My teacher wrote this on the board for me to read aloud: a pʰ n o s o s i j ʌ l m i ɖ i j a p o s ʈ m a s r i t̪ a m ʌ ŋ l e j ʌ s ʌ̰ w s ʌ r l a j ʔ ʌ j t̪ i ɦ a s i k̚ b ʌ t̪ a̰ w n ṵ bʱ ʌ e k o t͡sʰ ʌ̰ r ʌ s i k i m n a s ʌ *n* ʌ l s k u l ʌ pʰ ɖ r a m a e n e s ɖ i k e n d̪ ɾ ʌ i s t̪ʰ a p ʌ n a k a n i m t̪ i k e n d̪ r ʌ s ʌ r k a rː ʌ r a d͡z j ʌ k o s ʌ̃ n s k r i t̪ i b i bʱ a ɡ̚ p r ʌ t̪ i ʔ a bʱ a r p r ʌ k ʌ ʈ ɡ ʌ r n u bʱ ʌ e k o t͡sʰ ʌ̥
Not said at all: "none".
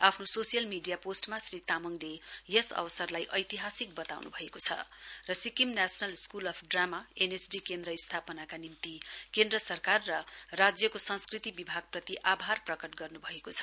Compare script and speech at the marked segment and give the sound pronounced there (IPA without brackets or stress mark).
n